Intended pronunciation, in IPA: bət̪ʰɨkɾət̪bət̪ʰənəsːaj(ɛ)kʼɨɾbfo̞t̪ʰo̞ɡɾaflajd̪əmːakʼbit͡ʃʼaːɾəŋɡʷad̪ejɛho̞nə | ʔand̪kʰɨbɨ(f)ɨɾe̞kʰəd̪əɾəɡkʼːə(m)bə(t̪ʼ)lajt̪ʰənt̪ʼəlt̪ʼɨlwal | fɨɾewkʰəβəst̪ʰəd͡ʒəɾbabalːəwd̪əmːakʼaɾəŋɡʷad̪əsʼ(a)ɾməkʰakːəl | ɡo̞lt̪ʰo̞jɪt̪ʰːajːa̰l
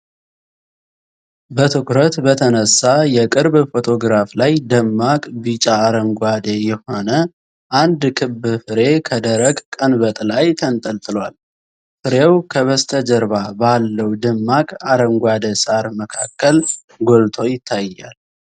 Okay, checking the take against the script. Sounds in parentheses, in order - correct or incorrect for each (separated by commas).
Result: correct, correct, incorrect, correct, correct